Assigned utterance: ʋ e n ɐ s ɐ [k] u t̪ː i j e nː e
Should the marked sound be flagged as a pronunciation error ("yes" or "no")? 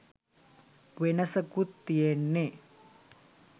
no